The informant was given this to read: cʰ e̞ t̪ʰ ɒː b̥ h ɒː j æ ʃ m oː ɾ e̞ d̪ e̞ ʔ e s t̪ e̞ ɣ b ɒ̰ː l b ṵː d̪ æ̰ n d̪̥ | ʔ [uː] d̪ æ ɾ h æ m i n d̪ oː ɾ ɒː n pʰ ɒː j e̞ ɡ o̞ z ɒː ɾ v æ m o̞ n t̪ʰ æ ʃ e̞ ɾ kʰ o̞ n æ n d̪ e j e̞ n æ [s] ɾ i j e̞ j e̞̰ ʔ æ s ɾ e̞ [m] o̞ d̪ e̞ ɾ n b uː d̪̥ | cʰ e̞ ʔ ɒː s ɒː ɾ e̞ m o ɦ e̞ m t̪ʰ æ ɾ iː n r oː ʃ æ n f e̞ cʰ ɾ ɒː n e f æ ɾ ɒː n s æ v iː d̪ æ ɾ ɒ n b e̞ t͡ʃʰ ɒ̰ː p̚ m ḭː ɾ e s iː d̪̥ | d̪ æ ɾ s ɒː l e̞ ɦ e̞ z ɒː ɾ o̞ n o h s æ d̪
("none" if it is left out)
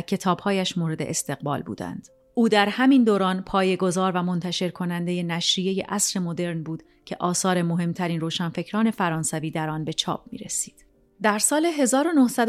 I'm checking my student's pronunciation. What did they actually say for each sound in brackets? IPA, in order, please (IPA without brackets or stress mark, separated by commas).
uː, ʃ, m